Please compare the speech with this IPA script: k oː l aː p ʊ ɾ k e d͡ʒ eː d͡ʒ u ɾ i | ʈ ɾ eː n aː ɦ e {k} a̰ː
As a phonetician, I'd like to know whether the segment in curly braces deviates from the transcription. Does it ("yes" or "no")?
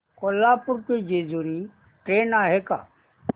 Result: no